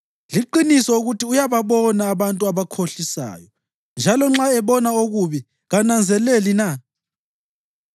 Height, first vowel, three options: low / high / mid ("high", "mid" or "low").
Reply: high